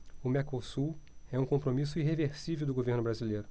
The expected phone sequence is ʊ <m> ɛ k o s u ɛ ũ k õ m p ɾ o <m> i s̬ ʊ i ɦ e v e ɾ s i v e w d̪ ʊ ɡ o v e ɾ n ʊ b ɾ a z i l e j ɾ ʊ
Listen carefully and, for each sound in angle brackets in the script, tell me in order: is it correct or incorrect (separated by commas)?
correct, correct